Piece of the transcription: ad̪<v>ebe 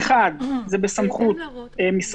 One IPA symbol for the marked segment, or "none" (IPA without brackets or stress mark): z